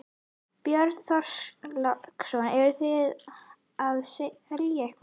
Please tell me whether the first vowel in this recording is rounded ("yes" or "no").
yes